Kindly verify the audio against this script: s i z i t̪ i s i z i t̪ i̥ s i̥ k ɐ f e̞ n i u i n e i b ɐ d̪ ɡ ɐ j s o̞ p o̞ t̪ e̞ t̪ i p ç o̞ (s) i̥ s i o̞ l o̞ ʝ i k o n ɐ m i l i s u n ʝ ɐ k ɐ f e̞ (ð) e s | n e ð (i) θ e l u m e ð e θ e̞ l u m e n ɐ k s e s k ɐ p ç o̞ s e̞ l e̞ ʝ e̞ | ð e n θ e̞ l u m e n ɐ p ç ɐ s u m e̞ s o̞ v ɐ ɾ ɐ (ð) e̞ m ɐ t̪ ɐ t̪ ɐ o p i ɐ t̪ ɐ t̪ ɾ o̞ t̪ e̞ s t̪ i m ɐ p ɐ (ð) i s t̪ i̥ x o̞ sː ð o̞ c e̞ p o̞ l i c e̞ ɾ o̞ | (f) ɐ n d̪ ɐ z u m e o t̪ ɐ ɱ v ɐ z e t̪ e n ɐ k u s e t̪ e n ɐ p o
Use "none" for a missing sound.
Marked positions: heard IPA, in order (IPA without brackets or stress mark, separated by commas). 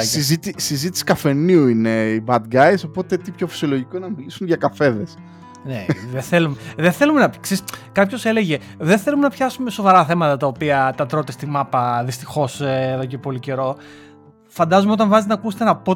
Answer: f, ð, e, θ, ð, f